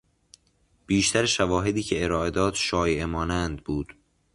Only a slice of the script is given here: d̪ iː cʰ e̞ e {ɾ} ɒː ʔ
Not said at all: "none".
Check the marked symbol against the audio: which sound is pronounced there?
ɾ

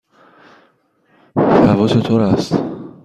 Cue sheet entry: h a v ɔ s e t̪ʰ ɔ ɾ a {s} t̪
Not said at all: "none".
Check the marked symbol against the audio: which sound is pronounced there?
s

